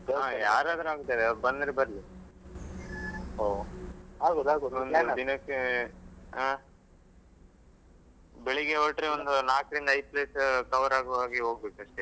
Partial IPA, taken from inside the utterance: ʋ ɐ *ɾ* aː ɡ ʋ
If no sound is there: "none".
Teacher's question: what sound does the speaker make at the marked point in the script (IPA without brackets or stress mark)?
ɾ